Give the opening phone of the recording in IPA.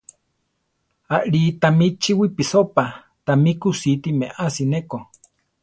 a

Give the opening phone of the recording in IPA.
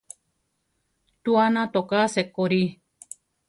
t̪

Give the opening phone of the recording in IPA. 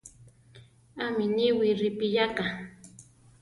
a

